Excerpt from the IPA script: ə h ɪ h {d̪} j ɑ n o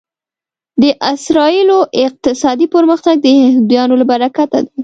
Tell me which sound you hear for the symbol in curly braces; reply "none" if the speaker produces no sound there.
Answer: d̪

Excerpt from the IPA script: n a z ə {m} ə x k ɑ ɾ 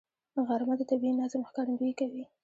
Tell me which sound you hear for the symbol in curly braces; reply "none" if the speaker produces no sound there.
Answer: m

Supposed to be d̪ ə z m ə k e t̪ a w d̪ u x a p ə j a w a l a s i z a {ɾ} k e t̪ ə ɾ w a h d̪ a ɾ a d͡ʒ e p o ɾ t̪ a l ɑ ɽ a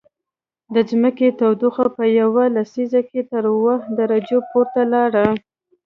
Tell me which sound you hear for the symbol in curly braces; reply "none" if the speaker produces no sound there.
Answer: none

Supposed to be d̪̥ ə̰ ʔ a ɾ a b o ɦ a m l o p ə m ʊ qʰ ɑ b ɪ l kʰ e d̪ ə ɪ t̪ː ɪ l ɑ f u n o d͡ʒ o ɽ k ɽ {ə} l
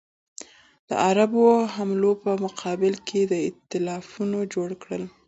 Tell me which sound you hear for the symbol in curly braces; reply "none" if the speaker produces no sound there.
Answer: ə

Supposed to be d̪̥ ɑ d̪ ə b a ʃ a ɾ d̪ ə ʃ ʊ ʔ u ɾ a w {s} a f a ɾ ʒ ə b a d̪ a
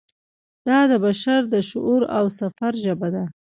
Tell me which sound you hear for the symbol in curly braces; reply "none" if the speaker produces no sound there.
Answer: s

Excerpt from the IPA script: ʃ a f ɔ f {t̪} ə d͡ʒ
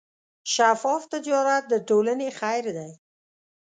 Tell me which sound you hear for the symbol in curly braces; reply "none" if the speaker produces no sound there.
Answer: t̪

